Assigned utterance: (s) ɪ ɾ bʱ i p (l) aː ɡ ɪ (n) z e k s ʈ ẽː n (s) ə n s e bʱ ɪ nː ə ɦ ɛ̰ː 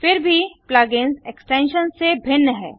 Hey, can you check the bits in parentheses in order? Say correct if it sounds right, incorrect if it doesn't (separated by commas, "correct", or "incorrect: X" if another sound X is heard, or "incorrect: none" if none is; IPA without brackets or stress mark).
incorrect: f, correct, correct, incorrect: ʃ